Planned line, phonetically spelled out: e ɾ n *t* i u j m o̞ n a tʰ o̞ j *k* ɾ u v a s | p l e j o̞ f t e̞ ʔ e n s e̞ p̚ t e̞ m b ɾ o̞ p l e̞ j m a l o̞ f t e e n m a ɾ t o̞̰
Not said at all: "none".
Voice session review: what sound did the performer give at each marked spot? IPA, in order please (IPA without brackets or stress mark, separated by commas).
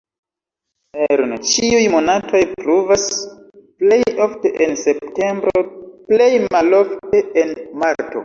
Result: t͡ʃ, p